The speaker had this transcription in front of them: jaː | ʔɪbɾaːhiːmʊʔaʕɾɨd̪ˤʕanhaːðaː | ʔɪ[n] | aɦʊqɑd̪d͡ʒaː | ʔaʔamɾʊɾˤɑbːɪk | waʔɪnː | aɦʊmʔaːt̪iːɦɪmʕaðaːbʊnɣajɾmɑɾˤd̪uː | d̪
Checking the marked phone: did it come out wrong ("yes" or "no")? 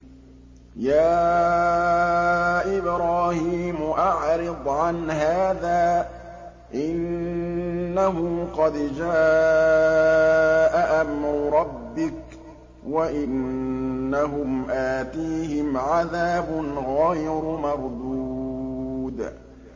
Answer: yes